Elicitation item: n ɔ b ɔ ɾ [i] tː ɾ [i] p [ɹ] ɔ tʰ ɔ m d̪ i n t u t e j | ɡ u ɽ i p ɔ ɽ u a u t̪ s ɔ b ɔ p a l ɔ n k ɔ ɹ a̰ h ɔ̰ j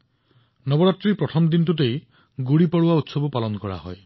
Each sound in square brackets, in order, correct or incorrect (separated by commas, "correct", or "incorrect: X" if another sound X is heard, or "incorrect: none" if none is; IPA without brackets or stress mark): incorrect: a, correct, incorrect: ɾ